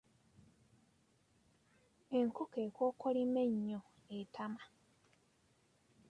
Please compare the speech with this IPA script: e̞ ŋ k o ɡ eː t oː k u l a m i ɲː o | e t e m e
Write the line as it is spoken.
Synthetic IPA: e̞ ŋ k o k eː k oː k o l i m e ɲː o | e t a m a